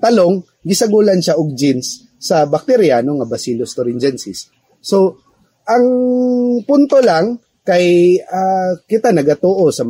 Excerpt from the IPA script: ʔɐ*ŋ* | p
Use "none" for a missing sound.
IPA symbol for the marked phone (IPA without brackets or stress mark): ŋ